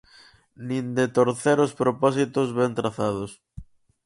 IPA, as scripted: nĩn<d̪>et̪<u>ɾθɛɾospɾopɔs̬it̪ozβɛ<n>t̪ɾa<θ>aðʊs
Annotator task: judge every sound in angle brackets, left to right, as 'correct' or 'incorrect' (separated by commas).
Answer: correct, incorrect, correct, correct